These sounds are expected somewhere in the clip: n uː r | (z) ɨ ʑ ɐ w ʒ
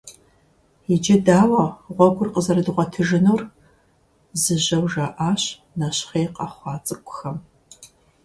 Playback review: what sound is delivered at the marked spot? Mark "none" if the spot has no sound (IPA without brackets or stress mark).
z